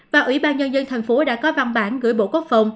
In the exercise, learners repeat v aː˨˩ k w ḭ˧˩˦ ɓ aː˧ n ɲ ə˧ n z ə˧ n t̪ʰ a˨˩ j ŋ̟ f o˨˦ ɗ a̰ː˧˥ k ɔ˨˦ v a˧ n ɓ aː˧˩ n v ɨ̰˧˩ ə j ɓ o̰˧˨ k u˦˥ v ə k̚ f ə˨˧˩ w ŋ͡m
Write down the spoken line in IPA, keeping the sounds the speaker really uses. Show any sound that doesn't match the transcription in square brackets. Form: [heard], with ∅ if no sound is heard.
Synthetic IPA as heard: v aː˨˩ [ʔ] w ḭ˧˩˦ ɓ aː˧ n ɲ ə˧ n z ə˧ n t̪ʰ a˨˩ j ŋ̟ f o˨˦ ɗ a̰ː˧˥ k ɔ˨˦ v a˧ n ɓ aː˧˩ n [ɣ] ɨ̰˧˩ ə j ɓ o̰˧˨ k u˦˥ [∅] ə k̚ f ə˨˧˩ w ŋ͡m